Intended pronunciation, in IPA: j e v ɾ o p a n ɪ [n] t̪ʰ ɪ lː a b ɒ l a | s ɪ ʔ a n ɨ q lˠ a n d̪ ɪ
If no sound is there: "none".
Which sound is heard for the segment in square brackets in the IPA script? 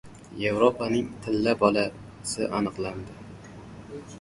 ŋ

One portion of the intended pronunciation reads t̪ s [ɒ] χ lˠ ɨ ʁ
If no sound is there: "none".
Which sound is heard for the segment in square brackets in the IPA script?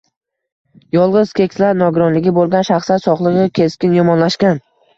ɒ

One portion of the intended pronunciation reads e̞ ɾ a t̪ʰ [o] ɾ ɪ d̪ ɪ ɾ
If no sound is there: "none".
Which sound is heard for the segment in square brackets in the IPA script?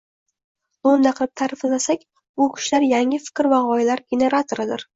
o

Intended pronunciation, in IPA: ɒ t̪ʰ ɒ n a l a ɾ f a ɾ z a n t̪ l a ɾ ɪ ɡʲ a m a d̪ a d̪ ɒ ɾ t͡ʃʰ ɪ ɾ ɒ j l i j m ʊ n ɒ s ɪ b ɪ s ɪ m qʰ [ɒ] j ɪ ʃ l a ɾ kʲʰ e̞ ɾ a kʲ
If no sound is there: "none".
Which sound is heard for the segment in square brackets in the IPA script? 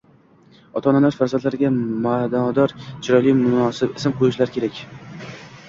o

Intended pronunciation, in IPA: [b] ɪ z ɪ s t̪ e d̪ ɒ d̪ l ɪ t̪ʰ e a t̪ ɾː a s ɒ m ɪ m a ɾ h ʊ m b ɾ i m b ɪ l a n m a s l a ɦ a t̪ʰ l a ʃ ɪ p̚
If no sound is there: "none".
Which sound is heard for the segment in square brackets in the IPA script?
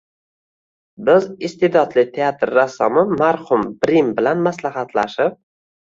b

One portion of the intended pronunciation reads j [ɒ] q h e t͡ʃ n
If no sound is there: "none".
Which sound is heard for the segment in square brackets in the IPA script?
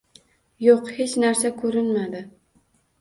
o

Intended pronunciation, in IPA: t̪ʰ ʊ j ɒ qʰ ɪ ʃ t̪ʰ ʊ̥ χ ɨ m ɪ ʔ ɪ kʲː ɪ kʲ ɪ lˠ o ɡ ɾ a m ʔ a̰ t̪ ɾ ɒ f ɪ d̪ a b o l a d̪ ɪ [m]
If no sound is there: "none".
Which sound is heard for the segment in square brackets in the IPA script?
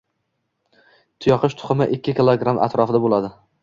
none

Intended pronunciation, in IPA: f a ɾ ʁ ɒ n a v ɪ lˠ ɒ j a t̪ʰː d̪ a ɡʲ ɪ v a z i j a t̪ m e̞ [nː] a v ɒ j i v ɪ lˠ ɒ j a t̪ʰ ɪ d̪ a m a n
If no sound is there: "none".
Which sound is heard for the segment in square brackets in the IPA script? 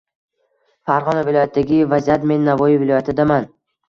nː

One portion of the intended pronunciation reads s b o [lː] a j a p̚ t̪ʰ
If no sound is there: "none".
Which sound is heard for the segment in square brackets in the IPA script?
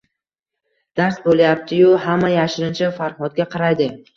l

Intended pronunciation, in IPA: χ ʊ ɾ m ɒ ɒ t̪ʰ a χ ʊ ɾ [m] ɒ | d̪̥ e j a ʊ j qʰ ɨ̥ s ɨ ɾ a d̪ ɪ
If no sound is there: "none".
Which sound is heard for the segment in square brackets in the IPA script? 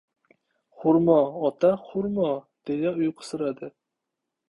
m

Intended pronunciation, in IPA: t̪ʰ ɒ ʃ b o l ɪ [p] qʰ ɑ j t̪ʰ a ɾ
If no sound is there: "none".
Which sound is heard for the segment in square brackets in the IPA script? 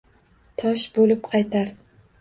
p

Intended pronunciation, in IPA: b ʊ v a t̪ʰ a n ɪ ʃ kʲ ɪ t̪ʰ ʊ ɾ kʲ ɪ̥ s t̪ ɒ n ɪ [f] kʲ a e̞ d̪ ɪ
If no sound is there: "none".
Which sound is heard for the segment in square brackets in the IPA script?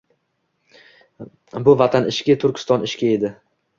ʃ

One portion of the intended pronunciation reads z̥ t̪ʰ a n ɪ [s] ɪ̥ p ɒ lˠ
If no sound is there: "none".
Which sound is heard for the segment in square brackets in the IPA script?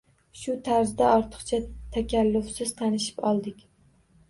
ʃ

